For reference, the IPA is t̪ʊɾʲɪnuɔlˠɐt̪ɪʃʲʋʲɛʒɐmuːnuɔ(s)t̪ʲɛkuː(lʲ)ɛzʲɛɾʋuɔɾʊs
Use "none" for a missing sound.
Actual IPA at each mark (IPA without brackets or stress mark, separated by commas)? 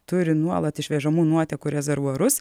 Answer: none, ɾʲ